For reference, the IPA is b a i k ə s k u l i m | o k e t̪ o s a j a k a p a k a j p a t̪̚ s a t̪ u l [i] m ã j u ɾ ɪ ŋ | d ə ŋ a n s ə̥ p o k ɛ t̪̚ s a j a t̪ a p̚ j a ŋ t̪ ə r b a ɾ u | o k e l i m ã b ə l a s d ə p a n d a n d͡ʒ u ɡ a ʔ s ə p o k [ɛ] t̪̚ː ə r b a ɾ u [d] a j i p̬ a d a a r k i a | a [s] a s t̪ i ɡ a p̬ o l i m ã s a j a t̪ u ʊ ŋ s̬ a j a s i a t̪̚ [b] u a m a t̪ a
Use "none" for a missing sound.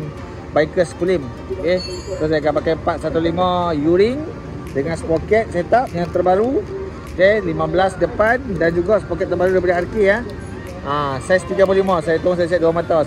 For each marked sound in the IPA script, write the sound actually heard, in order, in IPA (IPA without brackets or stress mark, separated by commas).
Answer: i, ɛ, d, s, d